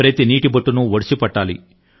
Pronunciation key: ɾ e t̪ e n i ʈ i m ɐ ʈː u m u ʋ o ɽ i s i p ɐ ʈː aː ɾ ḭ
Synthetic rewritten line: ɾ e t̪ i n iː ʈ i b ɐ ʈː u n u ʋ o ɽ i s i p ɐ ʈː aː l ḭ